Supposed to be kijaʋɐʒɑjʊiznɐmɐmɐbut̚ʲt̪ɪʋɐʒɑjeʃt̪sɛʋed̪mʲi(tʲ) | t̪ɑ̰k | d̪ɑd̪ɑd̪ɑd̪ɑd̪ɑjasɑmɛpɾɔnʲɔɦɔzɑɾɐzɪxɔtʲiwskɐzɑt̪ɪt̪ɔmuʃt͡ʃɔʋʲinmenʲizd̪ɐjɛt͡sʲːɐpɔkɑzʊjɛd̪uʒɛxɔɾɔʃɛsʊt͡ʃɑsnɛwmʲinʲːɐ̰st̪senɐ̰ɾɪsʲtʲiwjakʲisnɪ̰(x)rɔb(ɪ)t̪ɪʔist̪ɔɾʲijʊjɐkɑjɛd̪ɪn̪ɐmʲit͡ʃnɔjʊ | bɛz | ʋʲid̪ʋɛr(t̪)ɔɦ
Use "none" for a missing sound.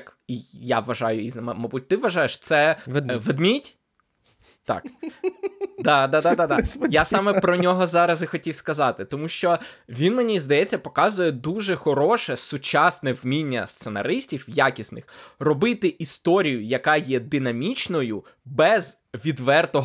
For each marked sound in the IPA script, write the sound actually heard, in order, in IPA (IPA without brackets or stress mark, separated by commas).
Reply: tʲ, x, ɪ, t̪